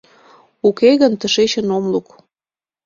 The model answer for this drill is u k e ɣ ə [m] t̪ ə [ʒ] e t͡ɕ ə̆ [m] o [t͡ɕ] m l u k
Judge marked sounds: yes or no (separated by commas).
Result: no, no, no, no